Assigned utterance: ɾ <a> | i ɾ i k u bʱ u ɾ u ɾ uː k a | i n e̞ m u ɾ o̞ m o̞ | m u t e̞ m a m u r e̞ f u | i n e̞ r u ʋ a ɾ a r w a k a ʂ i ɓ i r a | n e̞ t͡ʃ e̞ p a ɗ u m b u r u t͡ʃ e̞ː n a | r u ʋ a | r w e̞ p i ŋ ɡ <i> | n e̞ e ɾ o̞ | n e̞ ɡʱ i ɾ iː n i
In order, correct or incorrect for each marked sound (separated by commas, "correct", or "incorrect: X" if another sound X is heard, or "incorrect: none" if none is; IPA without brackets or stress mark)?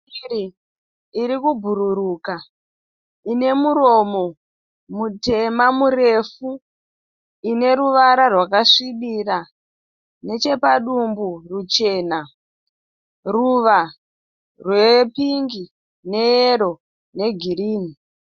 incorrect: i, correct